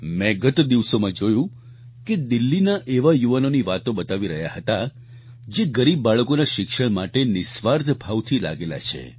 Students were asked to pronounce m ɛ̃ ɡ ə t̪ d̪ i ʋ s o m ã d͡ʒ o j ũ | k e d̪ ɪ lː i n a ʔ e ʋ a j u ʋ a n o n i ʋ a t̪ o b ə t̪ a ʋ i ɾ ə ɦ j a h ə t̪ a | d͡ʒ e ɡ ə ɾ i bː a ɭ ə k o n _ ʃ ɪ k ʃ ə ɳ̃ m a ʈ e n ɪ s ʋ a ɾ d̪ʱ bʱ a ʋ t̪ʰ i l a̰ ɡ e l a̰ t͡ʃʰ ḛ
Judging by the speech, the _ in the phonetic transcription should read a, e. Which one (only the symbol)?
a